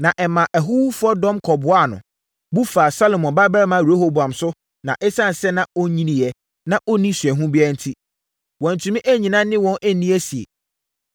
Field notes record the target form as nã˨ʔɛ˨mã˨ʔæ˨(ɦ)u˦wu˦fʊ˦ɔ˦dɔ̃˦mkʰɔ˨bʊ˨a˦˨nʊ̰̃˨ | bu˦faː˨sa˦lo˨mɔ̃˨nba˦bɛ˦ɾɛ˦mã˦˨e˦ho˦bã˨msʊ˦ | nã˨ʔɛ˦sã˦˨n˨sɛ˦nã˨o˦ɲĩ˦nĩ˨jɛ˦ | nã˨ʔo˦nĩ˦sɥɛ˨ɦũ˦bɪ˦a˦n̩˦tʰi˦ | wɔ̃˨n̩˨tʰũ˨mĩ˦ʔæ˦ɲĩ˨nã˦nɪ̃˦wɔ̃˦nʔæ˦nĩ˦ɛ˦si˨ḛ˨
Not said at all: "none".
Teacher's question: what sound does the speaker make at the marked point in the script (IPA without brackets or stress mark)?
ɦ